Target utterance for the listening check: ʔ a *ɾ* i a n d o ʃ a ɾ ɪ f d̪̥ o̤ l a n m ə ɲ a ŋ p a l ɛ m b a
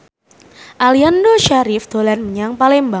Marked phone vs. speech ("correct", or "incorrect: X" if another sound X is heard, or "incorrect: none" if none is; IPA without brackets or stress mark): incorrect: l